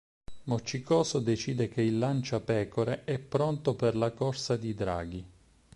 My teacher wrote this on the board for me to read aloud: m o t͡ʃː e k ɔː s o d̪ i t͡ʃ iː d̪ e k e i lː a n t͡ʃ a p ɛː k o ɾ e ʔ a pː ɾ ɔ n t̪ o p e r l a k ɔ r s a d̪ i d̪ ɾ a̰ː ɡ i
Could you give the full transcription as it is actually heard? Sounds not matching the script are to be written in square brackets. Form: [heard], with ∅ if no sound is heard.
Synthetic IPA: m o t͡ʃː [i] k ɔː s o d̪ [e] t͡ʃ iː d̪ e k e i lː a n t͡ʃ a p ɛː k o ɾ e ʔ [ɛ] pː ɾ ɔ n t̪ o p e r l a k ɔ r s a d̪ i d̪ ɾ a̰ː ɡ i

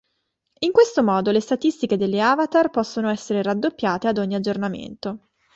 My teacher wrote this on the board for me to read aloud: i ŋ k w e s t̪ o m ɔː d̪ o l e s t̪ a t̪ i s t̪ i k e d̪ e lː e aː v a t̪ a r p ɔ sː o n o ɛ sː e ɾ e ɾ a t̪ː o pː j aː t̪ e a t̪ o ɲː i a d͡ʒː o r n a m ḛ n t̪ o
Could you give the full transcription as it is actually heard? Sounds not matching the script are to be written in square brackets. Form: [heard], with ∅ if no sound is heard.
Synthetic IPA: i ŋ k w e s t̪ o m ɔː d̪ o l e s t̪ a t̪ i s t̪ i k e d̪ e lː e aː v a t̪ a r p ɔ sː o n o ɛ sː e ɾ e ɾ a [d̪ː] o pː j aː t̪ e a [d̪] o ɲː i a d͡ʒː o r n a m ḛ n t̪ o

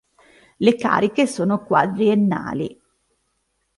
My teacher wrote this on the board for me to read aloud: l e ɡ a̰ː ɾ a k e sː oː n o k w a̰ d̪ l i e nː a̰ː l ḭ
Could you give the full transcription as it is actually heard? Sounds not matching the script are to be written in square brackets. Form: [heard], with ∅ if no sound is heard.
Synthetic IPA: l e [k] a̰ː ɾ [i] k e [s] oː n o k w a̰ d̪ [ɾ] i e nː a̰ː l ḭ

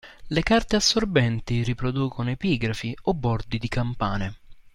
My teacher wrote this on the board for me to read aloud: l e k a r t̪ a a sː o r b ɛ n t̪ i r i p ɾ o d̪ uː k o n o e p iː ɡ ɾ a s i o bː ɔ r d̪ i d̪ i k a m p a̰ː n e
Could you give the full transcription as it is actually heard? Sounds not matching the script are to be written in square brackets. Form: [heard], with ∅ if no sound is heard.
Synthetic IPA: l e k a r t̪ [e] a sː o r b ɛ n t̪ i r i p ɾ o d̪ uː k o n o e p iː ɡ ɾ a [f] i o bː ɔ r d̪ i d̪ i k a m p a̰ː n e

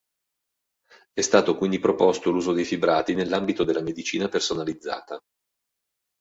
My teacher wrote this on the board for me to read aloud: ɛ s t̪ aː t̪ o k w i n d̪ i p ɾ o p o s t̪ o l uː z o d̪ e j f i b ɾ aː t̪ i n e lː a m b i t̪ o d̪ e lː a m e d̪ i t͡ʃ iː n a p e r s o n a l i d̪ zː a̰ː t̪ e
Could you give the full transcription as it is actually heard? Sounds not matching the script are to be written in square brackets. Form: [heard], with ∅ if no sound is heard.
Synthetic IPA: ɛ s t̪ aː t̪ o k w i n d̪ i p ɾ o p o s t̪ o l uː z o d̪ e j f i b ɾ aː t̪ i n e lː a m b i t̪ o d̪ e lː a m e d̪ i t͡ʃ iː n a p e r s o n a l i d̪ zː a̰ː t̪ [a]

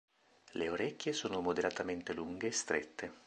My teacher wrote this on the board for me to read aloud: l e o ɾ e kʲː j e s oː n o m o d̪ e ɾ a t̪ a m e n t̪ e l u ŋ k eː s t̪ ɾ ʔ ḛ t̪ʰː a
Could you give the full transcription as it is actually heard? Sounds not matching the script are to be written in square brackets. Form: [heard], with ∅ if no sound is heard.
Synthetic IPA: l e o ɾ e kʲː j e s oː n o m o d̪ e ɾ a t̪ a m e n t̪ e l u ŋ [ɡ] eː s t̪ ɾ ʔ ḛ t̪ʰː [e]

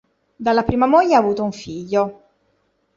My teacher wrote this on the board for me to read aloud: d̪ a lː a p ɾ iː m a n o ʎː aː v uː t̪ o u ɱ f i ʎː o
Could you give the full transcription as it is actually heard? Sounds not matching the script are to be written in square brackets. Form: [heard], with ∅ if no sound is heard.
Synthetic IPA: d̪ a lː a p ɾ iː m a [m] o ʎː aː v uː t̪ o u ɱ f i ʎː o

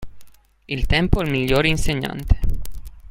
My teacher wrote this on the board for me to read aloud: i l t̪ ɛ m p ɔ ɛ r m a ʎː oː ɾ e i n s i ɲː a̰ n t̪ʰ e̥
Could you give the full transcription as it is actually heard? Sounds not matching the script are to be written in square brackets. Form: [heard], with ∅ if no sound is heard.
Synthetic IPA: i l t̪ ɛ m p [o] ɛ [l] m [i] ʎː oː ɾ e i n s [e] ɲː a̰ n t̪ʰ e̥

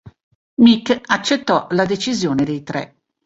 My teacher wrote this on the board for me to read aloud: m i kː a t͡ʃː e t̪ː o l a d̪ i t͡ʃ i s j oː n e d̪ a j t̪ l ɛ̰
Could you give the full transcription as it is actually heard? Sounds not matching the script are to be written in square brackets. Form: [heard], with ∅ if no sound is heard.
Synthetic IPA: m i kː a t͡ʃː e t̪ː [ɔ] l a d̪ [e] t͡ʃ i [z] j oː n e d̪ [e] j t̪ [ɾ] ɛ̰

